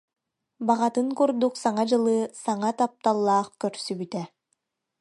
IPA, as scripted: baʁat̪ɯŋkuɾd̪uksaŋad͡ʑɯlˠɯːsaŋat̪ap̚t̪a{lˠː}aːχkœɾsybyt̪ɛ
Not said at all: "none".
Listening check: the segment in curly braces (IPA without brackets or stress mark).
lˠː